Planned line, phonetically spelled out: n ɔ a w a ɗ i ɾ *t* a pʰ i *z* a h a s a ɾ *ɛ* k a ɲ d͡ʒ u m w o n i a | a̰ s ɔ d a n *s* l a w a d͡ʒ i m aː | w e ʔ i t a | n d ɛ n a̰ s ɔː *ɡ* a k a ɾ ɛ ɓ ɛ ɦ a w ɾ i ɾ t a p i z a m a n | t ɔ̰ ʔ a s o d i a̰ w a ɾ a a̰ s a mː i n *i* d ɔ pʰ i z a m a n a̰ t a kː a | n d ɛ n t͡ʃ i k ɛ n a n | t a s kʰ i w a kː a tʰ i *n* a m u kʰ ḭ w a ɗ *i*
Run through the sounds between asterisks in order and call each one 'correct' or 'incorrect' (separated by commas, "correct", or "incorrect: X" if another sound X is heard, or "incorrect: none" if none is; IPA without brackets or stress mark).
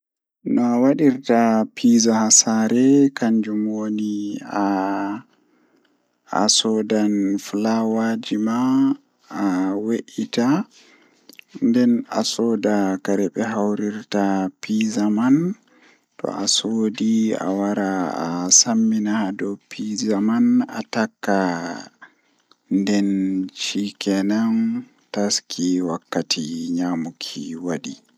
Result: correct, correct, correct, incorrect: f, incorrect: d, incorrect: a, incorrect: ɲ, correct